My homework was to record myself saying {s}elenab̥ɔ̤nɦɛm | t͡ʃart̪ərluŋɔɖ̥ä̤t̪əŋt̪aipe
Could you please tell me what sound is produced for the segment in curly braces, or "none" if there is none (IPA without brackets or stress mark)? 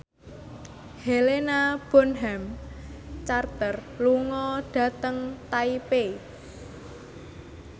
h